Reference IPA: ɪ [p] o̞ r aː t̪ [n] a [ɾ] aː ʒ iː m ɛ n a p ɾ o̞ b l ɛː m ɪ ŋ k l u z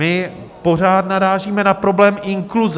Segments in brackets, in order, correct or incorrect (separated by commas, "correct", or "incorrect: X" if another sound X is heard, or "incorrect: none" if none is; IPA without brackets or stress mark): correct, correct, correct